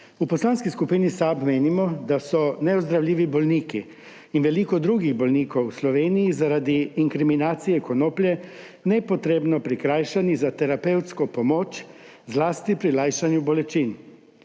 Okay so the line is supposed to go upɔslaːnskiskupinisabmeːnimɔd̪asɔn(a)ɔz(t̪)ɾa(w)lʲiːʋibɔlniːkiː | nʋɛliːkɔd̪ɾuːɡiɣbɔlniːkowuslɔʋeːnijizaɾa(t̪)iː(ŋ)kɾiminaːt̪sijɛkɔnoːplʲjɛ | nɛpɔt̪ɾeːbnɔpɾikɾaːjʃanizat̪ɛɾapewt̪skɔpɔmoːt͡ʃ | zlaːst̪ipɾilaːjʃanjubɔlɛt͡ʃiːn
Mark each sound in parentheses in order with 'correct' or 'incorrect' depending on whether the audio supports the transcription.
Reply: incorrect, incorrect, correct, incorrect, correct

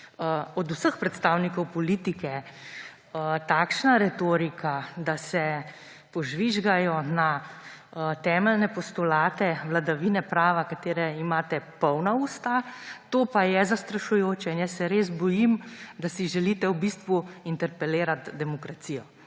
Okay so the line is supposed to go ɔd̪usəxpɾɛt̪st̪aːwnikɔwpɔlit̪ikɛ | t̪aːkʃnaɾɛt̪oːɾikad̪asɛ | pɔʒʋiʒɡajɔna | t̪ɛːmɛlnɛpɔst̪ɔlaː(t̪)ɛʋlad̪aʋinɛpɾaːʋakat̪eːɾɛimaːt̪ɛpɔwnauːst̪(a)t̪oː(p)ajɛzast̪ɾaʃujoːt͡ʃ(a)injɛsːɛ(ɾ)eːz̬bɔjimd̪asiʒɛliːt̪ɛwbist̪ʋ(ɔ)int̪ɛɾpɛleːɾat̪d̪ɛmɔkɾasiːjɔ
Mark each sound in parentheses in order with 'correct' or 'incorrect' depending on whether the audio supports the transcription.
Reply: correct, correct, correct, incorrect, correct, incorrect

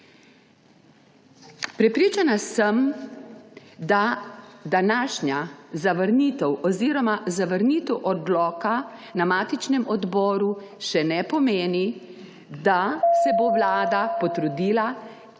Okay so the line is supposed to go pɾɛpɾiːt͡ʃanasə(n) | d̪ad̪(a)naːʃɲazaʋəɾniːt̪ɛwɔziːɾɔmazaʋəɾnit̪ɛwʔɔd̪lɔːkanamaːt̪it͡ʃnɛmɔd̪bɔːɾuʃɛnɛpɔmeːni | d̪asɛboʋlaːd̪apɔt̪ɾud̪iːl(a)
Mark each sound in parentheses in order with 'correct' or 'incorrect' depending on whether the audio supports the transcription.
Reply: incorrect, correct, correct

